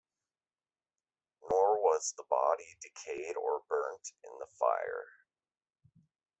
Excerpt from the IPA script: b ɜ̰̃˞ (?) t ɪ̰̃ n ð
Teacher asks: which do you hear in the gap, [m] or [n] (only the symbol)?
n